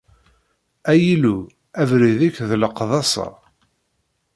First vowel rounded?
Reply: no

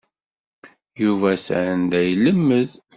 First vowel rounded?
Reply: yes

